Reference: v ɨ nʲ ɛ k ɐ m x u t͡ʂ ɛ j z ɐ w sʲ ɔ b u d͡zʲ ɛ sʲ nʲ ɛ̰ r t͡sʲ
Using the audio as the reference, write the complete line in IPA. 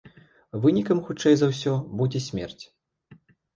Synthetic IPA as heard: v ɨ nʲ i k ɐ m x u t͡ʂ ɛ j z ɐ w sʲ ɔ b u d͡zʲ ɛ sʲ mʲ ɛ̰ r t͡sʲ